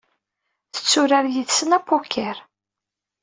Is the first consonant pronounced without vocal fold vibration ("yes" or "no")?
yes